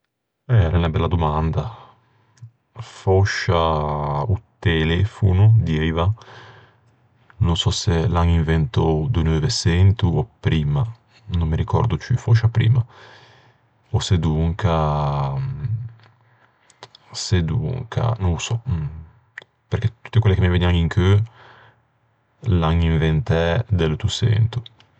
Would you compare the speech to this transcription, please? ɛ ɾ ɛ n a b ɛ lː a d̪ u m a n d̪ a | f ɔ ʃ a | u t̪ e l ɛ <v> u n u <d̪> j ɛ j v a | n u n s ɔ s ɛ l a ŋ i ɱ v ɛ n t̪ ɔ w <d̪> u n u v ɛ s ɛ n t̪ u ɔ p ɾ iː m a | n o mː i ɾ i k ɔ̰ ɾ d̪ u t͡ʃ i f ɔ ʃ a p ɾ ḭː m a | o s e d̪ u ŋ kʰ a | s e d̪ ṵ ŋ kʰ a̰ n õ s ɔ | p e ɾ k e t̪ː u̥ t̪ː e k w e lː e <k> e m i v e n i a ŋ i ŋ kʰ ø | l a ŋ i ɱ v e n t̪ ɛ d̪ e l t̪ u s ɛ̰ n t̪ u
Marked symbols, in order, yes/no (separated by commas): no, yes, yes, yes